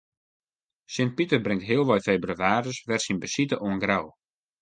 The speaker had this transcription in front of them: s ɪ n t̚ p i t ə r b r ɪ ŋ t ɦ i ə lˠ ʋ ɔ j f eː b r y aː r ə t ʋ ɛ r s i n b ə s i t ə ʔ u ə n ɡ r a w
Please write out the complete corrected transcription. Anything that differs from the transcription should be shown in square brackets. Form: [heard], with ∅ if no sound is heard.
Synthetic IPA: s ɪ n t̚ p i t ə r b r ɪ ŋ t ɦ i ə lˠ ʋ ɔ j f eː b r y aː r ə [s] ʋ ɛ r s i n b ə s i t ə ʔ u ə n ɡ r a w

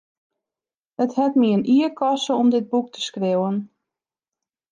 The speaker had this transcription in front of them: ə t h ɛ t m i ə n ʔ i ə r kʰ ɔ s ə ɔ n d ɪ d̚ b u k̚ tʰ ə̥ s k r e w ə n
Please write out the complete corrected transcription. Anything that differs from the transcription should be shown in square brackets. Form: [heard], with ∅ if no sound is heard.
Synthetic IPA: ə t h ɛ t m i ə n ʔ i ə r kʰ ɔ s ə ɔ [m] d ɪ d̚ b u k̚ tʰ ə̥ s k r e w ə n

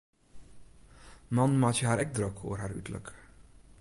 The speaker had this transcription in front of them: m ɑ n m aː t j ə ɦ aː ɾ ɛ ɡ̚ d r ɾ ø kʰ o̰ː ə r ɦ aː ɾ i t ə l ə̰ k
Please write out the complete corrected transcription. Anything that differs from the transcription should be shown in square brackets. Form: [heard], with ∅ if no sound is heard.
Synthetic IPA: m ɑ n m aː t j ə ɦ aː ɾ ɛ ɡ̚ d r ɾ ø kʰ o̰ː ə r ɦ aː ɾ [y] t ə l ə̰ k

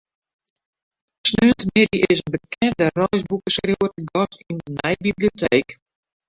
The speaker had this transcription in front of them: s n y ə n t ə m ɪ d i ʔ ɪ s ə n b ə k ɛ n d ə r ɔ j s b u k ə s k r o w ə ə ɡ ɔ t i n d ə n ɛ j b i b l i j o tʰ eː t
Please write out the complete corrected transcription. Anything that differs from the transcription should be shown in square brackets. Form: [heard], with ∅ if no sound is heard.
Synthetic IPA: s n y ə n t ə m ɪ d i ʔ ɪ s ə n b ə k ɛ n d ə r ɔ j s b u k ə s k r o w ə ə ɡ ɔ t i n d ə n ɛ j b i b l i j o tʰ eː [k]

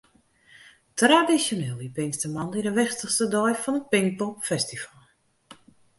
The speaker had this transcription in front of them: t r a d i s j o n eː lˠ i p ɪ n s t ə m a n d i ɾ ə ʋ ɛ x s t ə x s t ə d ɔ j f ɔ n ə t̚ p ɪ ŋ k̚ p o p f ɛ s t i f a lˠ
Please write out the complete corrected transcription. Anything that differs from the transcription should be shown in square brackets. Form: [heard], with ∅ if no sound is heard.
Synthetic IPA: t r a d i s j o n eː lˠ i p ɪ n s t ə m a n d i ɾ ə ʋ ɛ x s t ə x s t ə d ɔ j f ɔ n ə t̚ p ɪ ŋ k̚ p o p f ɛ s t i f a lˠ

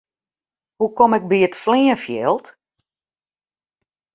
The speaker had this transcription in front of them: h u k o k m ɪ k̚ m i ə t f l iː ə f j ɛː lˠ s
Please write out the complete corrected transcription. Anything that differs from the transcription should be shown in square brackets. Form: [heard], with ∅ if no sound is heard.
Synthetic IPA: h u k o [∅] m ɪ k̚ [b] i ə t f l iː ə f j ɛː lˠ [t]

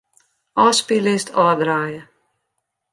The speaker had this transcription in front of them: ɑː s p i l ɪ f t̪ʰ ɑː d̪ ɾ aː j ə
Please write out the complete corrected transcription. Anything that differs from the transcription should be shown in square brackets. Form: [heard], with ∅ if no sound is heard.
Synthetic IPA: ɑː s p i l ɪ [s] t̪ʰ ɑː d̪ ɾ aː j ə

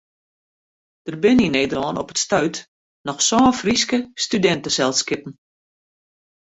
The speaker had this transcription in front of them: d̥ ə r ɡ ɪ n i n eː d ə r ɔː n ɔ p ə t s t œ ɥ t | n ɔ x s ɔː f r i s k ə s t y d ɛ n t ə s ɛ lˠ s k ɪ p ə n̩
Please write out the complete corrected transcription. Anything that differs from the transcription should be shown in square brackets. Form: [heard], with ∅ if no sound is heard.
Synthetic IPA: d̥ ə r [b] ɪ n i n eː d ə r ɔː n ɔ p ə t s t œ ɥ t | n ɔ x s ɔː f r i s k ə s t y d ɛ n t ə s ɛ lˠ s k ɪ p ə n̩

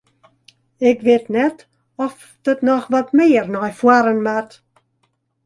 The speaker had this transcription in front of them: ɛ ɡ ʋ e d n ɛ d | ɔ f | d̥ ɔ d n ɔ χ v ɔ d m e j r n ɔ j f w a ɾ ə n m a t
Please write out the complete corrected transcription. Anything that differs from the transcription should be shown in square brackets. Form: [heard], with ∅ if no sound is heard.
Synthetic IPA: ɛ ɡ [v] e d n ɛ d | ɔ f | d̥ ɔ d n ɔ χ v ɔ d m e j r n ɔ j f w a ɾ ə n m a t

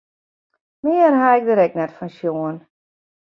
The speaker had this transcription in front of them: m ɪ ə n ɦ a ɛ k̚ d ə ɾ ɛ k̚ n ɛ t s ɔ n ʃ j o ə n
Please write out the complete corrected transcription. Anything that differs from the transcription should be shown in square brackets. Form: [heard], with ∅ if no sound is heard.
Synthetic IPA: m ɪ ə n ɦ a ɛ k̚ d ə ɾ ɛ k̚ n ɛ t [f] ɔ n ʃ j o ə n

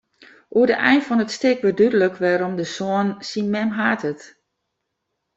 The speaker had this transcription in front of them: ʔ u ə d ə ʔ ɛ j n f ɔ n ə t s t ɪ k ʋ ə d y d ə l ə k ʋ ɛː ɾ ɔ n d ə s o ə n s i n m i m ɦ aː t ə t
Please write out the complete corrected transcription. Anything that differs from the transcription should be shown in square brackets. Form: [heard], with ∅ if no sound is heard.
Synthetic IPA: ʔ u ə d ə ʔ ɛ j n f ɔ n ə t s t ɪ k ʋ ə d y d ə l ə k ʋ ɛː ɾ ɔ [m] d ə s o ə n s i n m [ɛ] m ɦ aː t ə t

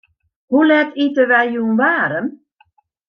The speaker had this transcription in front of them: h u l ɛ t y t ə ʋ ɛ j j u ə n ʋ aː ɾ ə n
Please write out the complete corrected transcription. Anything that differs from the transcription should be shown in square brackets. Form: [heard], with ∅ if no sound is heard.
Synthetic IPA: h u l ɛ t [i] t ə ʋ ɛ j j u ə n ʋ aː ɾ ə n

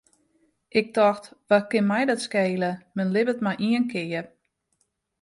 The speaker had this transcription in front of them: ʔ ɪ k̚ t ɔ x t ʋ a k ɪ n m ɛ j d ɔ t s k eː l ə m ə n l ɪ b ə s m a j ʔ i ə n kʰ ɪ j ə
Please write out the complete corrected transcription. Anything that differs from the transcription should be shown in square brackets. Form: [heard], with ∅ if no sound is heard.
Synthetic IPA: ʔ ɪ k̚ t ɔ x t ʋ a k ɪ n m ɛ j d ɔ t s k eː l ə m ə n l ɪ b ə [t] m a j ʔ i ə n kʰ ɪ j ə

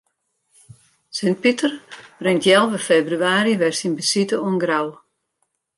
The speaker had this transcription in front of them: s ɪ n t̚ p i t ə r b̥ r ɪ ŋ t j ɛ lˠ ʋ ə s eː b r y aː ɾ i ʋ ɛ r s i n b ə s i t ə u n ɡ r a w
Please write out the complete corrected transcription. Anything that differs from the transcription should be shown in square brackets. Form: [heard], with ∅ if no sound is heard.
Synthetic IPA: s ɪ n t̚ p i t ə r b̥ r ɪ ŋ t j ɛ lˠ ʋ ə [f] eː b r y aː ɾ i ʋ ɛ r s i n b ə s i t ə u n ɡ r a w

